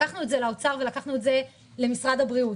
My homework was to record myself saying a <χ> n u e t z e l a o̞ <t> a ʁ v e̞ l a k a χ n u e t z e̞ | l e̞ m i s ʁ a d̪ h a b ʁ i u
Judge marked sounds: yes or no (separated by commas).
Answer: yes, no